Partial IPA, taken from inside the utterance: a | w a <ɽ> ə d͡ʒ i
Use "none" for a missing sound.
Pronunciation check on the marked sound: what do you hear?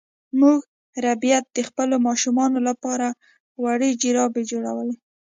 ɽ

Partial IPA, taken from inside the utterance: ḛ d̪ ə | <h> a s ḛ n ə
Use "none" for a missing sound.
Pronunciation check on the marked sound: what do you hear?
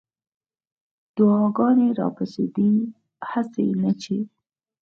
h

